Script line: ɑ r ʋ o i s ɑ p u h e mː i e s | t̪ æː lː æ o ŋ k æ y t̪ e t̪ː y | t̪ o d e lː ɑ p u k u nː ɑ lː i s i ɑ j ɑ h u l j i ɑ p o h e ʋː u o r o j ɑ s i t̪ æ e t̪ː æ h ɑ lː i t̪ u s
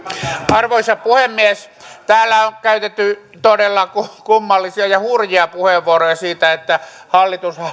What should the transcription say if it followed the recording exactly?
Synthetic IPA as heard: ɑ r ʋ o i s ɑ p u h e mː i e s | t̪ æː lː æ o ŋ k æ y t̪ e t̪ː y | t̪ o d e lː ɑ k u k u mː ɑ lː i s i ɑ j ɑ h u r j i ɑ p u h e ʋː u o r o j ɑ s iː t̪ æ e t̪ː æ h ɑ lː i t̪ u s